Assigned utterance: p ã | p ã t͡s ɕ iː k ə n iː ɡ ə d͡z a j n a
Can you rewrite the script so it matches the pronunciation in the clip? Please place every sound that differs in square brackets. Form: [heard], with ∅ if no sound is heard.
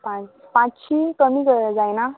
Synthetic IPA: p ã | p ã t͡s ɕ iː k ə [m] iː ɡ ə d͡z a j n a